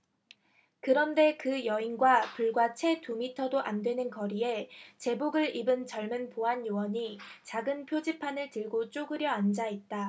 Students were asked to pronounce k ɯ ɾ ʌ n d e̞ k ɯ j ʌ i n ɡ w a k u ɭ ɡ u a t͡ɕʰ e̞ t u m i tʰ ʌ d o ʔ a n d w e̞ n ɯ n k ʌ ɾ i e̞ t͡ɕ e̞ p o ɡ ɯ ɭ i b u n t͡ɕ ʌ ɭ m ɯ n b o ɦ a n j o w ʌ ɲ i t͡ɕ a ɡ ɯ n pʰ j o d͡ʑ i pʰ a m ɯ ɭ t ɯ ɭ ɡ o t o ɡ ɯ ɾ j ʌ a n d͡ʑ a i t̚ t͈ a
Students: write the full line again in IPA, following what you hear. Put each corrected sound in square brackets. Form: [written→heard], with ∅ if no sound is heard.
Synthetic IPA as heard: k ɯ ɾ ʌ n d e̞ k ɯ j ʌ i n ɡ w a [k→p] u ɭ ɡ [u→w] a t͡ɕʰ e̞ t u m i tʰ ʌ d o ʔ a n d w e̞ n ɯ n k ʌ ɾ i e̞ t͡ɕ e̞ [p→b] o ɡ ɯ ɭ i b [u→ɯ] n t͡ɕ ʌ ɭ m ɯ n [b→p] o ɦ a n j o w ʌ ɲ i t͡ɕ a ɡ ɯ n pʰ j o d͡ʑ i pʰ a [m→n] ɯ ɭ t ɯ ɭ ɡ o [t→t͡ɕ͈] o ɡ ɯ ɾ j ʌ a n d͡ʑ a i t̚ t͈ a

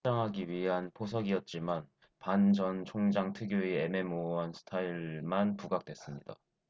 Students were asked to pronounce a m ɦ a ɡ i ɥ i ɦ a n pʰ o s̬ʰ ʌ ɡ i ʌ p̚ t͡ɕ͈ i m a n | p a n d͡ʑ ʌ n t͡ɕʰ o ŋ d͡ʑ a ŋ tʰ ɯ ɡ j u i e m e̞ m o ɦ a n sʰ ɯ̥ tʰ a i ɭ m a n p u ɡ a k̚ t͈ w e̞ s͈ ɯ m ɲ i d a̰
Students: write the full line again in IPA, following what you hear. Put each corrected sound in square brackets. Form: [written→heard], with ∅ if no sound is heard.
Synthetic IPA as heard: a [m→ŋ] ɦ a ɡ i ɥ i ɦ a n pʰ o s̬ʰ ʌ ɡ i ʌ [p̚→t̚] t͡ɕ͈ i m a n | p a n d͡ʑ ʌ n t͡ɕʰ o ŋ d͡ʑ a ŋ tʰ ɯ ɡ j [u→o] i e m e̞ m o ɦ a n sʰ ɯ̥ tʰ a i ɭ m a n p u ɡ a k̚ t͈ w e̞ s͈ ɯ m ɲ i d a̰

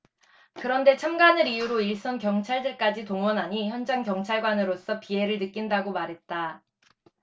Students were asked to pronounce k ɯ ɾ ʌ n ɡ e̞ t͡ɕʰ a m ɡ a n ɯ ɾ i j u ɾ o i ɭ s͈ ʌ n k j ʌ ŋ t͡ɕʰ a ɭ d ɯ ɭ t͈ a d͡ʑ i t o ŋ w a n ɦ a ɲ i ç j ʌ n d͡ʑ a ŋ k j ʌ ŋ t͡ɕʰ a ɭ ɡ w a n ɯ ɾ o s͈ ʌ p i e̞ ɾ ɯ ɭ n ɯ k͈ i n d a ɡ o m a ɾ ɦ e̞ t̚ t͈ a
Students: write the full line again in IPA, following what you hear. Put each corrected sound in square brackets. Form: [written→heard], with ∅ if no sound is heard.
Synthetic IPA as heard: k ɯ ɾ ʌ n [ɡ→d] e̞ t͡ɕʰ a m ɡ a n ɯ ɾ i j u ɾ o i ɭ s͈ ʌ n k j ʌ ŋ t͡ɕʰ a ɭ d ɯ ɭ [t͈→k͈] a d͡ʑ i t o ŋ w [a→ʌ] n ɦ a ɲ i ç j ʌ n d͡ʑ a ŋ k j ʌ ŋ t͡ɕʰ a ɭ ɡ w a n ɯ ɾ o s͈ ʌ p i e̞ ɾ ɯ ɭ n ɯ k͈ i n d a ɡ o m a ɾ ɦ e̞ t̚ t͈ a

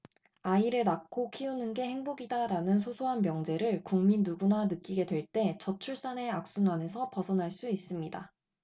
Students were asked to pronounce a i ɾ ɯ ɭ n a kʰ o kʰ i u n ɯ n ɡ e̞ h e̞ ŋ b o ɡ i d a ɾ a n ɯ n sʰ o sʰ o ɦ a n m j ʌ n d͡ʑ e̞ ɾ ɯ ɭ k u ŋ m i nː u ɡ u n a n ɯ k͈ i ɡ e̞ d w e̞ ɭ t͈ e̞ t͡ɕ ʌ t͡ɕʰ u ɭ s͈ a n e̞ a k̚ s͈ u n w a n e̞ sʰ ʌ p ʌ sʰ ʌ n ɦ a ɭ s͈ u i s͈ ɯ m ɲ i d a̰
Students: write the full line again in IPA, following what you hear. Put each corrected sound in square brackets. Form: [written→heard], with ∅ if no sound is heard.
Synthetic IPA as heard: a i ɾ ɯ ɭ n a kʰ o kʰ i u n ɯ n ɡ e̞ h e̞ ŋ b o ɡ i d a ɾ a n ɯ n sʰ o sʰ o ɦ a n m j ʌ [n→ŋ] d͡ʑ e̞ ɾ ɯ ɭ k u ŋ m i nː u ɡ u n a n ɯ k͈ i ɡ e̞ d w e̞ ɭ t͈ e̞ t͡ɕ ʌ t͡ɕʰ u ɭ s͈ a n e̞ a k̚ s͈ u n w a n e̞ sʰ ʌ p ʌ sʰ ʌ n ɦ a ɭ s͈ u i s͈ ɯ m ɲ i d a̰

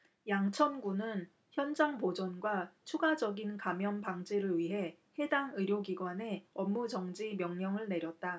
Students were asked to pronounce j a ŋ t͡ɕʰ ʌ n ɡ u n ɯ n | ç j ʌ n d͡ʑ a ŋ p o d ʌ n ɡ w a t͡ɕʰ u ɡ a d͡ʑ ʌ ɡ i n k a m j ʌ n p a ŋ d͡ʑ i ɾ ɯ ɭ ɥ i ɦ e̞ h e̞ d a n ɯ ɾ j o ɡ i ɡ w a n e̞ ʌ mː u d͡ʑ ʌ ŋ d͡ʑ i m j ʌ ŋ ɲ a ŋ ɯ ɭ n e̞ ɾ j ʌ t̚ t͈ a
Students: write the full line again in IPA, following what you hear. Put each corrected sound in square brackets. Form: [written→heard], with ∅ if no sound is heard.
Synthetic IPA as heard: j a ŋ t͡ɕʰ ʌ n ɡ u n ɯ n | ç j ʌ n d͡ʑ a ŋ p o [d→d͡ʑ] ʌ n ɡ w a t͡ɕʰ u ɡ a d͡ʑ ʌ ɡ i n k a m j ʌ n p a ŋ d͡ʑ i ɾ ɯ ɭ ɥ i ɦ e̞ h e̞ d a [n→ŋ] ɯ ɾ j o ɡ i ɡ w a n e̞ ʌ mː u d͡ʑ ʌ ŋ d͡ʑ i m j ʌ ŋ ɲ [a→ʌ] ŋ ɯ ɭ n e̞ ɾ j ʌ t̚ t͈ a

